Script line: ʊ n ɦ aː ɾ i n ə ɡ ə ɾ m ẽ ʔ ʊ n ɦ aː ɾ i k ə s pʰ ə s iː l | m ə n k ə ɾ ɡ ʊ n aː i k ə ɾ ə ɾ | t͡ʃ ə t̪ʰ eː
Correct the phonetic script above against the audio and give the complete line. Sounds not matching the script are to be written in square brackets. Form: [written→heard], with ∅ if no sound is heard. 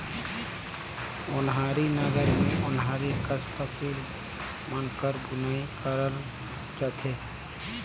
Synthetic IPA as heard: ʊ n ɦ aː ɾ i n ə ɡ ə ɾ m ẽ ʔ ʊ n ɦ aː ɾ i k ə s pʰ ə s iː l | m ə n k ə ɾ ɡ ʊ n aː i k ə ɾ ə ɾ | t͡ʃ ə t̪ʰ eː